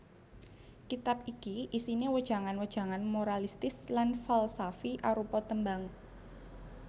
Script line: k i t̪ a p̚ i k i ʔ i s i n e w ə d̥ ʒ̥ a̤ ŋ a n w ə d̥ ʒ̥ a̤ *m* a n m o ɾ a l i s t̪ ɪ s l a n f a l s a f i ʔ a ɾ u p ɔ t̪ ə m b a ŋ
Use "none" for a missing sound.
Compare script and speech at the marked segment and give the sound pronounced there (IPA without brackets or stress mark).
ŋ